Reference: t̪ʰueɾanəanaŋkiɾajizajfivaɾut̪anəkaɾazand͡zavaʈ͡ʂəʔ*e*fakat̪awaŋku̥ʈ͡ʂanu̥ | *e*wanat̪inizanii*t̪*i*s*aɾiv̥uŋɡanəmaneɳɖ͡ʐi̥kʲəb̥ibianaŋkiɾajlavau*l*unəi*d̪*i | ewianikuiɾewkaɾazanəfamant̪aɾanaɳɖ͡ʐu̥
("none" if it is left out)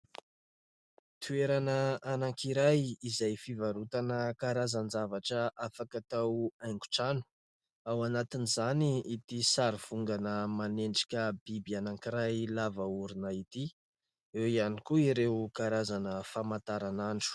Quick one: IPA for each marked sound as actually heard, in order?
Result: a, a, t̪, s, ɾ, t̪

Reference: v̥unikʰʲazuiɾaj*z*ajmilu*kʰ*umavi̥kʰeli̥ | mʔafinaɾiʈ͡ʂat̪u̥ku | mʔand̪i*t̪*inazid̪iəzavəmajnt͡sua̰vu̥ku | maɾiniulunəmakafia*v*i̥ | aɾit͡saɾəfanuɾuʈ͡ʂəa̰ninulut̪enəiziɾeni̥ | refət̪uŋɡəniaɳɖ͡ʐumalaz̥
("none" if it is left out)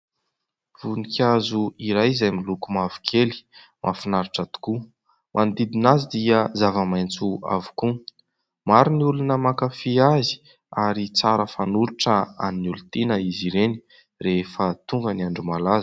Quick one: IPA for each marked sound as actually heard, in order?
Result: z, k, d̪, z

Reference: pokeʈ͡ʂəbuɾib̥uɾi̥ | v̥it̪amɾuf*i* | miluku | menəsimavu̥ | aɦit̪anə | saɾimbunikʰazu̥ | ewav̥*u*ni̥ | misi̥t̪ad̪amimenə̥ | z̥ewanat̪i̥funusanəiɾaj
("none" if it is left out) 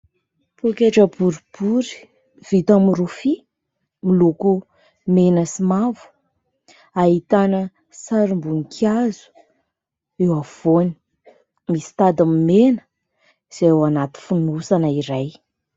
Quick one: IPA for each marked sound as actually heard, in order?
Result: i, o

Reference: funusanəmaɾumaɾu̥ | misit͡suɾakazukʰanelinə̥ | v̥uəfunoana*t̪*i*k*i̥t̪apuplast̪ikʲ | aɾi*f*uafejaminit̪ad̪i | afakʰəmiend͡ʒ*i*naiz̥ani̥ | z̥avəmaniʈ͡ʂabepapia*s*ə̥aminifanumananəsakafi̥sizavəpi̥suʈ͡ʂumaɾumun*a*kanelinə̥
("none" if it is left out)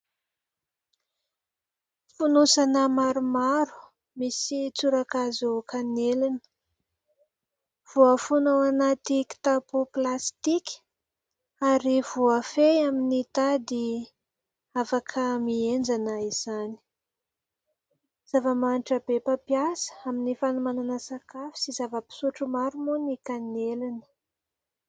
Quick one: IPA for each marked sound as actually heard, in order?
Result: t̪, k, v, a, s, i

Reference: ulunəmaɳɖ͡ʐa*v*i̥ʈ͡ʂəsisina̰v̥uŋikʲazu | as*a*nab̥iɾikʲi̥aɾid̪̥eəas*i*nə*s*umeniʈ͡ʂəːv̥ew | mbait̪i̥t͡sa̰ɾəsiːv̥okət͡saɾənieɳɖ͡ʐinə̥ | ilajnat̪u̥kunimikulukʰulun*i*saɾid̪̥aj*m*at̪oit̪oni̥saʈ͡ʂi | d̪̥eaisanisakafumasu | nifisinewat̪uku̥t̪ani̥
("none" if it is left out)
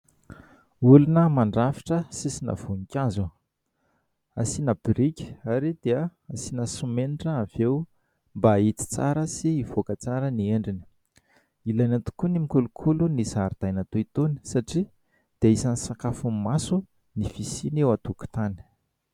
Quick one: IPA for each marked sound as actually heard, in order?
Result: f, i, i, s, i, n

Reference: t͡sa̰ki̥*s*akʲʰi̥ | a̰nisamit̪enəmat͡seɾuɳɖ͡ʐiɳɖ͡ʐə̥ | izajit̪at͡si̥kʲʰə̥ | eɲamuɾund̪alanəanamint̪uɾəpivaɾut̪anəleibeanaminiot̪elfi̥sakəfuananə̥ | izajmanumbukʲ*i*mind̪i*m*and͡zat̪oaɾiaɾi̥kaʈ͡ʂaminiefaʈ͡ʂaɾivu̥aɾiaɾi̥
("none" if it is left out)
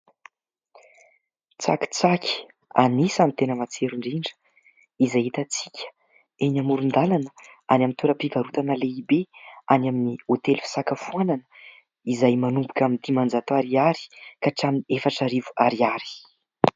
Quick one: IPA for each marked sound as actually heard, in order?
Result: t͡s, a, m

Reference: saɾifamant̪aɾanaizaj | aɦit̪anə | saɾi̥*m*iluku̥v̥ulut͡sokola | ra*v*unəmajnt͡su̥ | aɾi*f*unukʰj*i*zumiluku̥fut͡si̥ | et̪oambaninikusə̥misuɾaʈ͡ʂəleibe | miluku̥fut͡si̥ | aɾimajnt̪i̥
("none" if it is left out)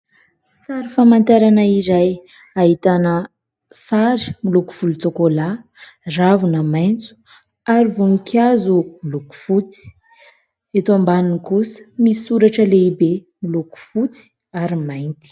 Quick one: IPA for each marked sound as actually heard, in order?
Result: m, v, v, a

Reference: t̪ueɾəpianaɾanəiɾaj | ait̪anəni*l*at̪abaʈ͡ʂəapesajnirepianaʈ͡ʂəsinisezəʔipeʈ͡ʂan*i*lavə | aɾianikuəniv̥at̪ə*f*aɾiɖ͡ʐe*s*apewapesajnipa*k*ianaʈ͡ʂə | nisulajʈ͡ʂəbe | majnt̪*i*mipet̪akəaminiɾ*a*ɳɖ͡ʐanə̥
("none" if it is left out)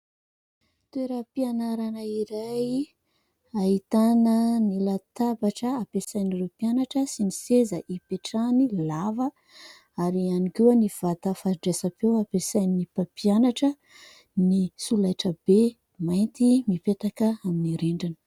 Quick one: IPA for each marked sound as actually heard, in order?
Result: l, i, f, s, p, i, e

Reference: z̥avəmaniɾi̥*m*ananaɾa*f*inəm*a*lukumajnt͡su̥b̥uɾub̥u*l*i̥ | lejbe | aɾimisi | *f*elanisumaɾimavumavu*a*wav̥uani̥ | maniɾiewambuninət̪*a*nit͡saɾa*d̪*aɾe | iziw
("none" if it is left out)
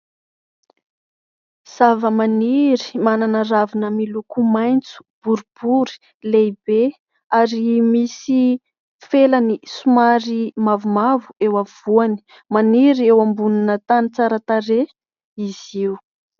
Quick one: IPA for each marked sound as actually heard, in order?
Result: m, v, i, ɾ, f, e, a, t̪

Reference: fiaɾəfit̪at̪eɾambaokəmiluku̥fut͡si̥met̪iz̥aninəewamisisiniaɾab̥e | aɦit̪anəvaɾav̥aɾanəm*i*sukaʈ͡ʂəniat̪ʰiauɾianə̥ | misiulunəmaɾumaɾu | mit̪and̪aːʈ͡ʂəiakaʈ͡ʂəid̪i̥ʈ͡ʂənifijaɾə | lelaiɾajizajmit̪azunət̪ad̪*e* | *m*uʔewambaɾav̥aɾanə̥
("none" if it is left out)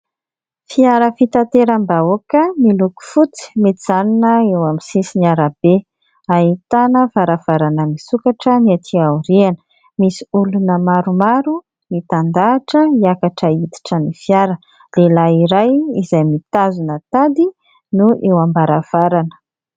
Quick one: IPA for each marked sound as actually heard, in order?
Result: i, i, n

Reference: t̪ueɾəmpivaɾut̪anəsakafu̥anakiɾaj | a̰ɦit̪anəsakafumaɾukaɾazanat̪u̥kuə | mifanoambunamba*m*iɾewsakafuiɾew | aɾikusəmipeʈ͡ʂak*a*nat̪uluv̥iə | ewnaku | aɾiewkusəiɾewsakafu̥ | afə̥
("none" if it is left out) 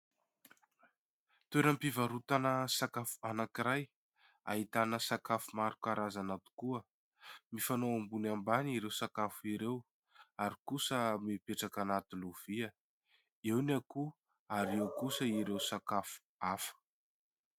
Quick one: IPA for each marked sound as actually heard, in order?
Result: n, a

